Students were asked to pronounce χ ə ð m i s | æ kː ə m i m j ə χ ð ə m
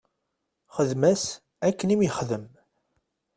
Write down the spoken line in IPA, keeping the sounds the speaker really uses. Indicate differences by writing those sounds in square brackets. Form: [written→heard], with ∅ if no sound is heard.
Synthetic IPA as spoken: χ ə ð m [i→æ] s | æ kː ə [m→n] i m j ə χ ð ə m